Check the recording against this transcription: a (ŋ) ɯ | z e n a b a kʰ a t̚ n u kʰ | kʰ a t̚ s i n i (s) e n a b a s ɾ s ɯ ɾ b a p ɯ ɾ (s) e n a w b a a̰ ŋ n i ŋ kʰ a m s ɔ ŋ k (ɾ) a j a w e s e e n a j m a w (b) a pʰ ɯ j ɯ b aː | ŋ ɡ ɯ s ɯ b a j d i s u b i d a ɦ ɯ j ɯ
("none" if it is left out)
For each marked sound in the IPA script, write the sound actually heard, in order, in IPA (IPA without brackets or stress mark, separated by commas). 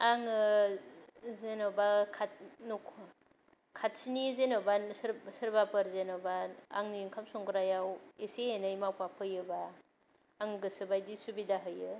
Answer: ŋ, z, z, ɾ, p